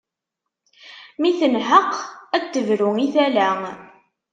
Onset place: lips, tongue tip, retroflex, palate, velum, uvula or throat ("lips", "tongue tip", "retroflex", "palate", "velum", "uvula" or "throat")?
lips